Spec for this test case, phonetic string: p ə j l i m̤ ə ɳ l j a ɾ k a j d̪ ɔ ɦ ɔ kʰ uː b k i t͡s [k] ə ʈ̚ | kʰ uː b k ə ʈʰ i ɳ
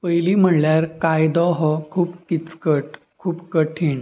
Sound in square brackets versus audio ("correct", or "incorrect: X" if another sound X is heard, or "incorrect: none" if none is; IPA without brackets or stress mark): correct